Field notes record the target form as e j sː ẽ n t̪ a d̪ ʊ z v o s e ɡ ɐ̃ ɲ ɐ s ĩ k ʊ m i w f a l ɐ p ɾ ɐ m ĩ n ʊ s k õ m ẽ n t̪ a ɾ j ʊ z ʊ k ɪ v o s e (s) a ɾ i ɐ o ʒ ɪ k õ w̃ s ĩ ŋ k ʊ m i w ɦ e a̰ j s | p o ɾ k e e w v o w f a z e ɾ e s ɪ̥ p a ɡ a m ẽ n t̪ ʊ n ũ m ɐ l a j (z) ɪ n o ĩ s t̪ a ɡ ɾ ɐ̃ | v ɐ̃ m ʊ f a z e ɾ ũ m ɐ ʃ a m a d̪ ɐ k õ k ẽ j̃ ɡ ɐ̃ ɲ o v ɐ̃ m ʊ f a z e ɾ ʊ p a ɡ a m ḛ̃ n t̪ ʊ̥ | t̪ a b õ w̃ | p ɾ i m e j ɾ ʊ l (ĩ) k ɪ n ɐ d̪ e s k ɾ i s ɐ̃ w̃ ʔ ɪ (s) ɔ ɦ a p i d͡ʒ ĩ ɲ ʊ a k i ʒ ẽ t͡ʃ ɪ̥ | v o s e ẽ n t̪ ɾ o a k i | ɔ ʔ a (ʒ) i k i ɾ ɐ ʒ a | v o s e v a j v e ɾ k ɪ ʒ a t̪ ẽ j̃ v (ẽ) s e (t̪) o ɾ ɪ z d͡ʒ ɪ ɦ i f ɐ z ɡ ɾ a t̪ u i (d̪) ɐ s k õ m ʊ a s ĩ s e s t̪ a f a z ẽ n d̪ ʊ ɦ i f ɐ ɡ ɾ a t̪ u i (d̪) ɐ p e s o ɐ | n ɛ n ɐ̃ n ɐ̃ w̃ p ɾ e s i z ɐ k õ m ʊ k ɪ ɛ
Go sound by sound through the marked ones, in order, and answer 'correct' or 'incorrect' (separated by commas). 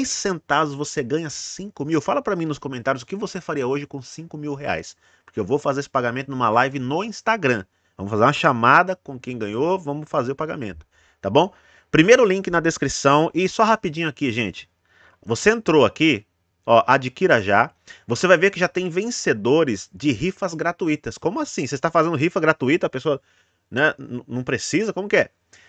incorrect, incorrect, correct, correct, incorrect, correct, incorrect, incorrect, incorrect